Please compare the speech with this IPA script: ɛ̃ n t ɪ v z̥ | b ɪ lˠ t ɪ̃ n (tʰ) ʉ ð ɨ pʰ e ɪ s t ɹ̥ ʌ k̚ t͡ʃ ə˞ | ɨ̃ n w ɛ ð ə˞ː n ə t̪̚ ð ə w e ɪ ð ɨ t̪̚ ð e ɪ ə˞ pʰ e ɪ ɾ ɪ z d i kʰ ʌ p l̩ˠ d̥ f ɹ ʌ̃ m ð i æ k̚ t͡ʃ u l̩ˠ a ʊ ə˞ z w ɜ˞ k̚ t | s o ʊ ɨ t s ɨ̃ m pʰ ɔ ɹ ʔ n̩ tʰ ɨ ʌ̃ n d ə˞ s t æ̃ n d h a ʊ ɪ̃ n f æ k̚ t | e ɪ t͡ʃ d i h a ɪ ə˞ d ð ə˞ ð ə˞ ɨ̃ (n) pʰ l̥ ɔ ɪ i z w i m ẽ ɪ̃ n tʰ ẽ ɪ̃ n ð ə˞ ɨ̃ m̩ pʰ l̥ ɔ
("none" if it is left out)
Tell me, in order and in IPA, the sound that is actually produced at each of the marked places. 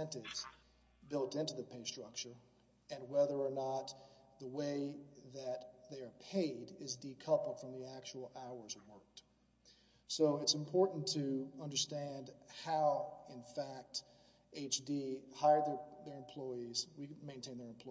t, m

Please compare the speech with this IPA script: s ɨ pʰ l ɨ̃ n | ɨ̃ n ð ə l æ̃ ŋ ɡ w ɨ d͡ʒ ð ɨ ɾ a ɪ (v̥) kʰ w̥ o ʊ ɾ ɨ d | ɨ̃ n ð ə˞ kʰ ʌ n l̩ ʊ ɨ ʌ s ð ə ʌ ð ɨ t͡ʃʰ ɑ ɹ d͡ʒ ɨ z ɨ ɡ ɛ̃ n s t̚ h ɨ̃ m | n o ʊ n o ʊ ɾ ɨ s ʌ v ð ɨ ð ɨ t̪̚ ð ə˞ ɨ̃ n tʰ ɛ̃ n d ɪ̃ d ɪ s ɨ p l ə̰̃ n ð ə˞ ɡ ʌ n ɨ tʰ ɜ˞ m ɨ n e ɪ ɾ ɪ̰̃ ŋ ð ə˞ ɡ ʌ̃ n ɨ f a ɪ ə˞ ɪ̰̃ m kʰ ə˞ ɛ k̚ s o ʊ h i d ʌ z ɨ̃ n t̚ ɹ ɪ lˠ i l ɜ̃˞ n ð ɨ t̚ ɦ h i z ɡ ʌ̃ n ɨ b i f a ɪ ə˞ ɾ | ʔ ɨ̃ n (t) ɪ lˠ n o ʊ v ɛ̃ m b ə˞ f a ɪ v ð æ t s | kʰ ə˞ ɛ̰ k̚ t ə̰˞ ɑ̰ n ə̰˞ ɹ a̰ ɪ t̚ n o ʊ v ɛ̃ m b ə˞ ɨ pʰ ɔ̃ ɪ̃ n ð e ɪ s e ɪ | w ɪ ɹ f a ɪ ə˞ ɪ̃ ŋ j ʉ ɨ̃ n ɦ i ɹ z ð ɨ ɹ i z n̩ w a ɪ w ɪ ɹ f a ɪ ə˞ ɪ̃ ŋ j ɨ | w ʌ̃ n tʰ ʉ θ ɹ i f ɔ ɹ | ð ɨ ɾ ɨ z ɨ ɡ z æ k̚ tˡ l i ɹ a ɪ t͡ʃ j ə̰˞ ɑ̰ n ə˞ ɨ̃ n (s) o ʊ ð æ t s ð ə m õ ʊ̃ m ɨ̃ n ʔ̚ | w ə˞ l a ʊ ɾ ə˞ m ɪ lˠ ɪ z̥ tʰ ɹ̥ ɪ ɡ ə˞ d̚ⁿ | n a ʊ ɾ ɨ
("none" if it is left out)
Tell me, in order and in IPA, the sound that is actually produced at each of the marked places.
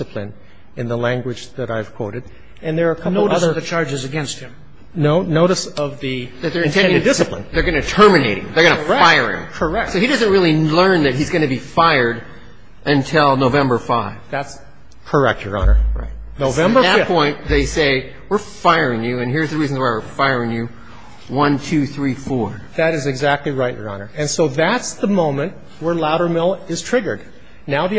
v̥, tʰ, s

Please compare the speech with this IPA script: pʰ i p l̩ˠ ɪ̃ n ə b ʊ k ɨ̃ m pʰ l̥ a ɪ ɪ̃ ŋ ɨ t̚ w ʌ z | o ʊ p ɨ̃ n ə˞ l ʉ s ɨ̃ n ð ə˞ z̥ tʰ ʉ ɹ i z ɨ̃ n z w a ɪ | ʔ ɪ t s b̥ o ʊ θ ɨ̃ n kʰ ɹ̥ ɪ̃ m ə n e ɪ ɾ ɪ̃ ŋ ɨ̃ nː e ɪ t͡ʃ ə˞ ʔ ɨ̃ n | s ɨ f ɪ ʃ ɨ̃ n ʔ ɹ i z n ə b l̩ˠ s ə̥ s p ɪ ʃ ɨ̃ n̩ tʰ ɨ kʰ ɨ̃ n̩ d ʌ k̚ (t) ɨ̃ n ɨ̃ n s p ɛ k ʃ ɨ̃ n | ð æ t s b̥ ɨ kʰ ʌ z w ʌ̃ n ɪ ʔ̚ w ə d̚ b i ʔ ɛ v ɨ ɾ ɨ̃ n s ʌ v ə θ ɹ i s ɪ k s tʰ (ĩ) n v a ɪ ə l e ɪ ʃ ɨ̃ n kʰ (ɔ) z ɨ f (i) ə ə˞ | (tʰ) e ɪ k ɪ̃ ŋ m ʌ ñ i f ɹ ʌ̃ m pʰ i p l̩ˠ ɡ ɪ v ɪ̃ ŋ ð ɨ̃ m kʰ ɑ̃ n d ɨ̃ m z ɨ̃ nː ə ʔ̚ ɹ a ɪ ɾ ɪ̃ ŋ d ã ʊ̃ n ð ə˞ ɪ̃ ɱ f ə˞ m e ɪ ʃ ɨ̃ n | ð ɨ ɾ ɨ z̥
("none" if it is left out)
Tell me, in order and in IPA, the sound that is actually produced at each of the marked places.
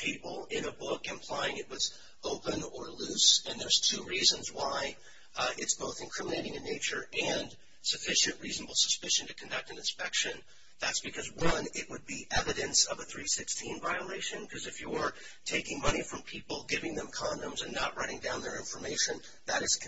t, ĩ, ʌ, j, tʰ

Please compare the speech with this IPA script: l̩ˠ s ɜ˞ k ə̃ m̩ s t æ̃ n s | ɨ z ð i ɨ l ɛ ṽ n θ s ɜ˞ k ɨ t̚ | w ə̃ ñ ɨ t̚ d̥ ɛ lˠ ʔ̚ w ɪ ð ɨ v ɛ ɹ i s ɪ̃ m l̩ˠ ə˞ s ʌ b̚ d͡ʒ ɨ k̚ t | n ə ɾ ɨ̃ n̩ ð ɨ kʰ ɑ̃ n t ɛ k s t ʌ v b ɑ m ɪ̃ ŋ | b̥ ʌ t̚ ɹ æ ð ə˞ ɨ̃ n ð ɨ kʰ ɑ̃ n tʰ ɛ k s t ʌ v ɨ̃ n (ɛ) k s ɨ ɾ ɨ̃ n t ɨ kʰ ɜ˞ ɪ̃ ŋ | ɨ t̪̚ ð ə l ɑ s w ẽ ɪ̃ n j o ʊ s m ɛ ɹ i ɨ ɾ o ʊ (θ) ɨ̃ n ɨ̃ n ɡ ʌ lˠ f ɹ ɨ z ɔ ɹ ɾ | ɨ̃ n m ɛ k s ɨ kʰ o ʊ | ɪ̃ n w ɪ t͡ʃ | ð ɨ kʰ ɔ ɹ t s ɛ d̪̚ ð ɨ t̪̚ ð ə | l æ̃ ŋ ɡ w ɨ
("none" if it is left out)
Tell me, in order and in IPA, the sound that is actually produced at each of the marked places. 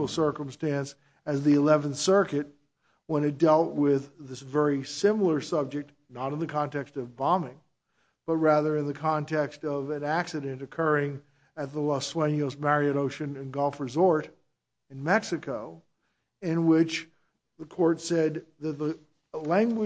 æ, ʃ

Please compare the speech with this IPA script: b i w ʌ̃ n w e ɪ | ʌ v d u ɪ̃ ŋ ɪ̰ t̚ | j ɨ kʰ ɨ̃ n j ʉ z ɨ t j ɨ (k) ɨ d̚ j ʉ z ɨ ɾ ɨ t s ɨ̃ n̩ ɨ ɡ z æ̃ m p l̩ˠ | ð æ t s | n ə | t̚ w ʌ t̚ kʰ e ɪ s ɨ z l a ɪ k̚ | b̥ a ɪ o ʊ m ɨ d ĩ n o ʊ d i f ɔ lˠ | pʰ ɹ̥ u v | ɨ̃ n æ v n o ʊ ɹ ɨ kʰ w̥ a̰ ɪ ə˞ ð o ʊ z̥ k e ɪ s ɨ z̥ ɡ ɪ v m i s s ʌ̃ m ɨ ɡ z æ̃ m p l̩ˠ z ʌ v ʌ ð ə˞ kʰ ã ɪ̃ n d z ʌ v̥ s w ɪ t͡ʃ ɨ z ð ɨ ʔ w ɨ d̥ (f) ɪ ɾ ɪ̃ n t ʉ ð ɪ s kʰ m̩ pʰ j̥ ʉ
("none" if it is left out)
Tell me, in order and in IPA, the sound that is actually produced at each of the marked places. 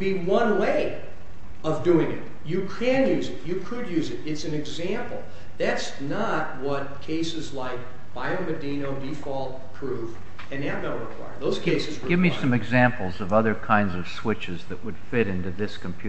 kʰ, f

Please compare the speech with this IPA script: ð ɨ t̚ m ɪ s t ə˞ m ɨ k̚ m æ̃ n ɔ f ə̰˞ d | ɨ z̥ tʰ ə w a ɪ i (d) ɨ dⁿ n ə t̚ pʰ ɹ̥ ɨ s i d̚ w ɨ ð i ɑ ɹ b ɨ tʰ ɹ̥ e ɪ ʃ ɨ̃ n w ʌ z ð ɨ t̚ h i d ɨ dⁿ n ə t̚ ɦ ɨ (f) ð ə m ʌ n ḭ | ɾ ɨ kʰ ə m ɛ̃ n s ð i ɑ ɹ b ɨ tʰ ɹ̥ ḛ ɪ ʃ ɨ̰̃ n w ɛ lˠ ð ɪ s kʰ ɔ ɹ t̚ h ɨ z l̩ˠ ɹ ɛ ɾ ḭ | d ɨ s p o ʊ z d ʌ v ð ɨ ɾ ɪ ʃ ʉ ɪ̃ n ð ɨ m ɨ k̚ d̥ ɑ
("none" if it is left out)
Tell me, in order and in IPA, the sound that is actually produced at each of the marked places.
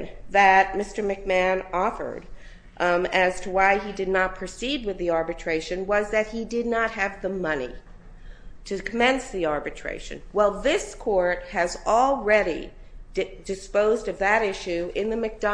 d, v

